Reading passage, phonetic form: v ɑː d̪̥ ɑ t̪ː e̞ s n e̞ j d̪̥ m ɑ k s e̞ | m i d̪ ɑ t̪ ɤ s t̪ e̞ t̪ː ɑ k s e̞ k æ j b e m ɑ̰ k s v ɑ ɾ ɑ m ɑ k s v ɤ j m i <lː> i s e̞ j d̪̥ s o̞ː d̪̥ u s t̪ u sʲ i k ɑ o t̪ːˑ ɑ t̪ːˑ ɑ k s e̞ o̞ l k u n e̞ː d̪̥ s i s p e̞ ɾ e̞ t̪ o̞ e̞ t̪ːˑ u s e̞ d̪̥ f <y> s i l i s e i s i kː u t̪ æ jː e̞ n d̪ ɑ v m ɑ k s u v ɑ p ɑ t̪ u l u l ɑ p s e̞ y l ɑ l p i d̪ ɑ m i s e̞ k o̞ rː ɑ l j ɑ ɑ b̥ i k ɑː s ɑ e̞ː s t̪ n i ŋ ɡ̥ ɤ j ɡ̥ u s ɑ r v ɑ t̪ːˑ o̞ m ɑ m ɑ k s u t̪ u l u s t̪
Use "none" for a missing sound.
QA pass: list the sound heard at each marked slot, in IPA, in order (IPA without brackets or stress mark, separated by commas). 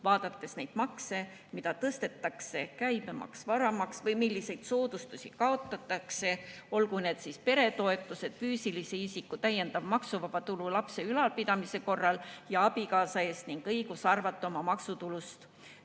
lː, yː